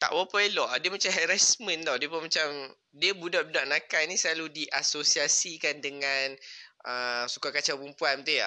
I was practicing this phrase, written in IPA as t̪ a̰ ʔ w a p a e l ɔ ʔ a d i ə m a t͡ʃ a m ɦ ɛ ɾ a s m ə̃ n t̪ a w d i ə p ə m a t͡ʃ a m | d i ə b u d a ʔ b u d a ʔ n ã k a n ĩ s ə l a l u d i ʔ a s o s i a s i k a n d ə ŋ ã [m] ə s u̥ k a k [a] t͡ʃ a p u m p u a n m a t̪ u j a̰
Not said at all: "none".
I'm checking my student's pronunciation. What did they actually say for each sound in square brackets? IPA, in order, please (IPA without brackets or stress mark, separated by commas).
n, a